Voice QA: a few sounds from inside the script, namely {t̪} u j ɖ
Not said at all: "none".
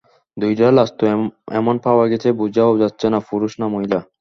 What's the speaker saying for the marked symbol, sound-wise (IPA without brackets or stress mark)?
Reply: d̪